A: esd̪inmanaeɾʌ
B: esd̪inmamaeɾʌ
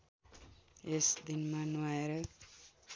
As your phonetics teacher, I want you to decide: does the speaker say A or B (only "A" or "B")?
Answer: A